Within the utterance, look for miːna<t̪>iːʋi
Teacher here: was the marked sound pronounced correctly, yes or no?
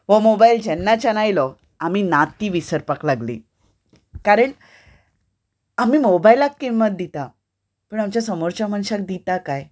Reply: yes